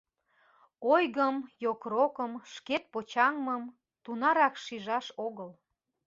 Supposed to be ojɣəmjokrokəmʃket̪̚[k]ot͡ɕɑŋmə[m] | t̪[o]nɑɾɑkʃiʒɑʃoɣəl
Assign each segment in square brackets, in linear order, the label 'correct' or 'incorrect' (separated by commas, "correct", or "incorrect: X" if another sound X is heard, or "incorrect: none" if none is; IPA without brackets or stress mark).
incorrect: p, correct, incorrect: u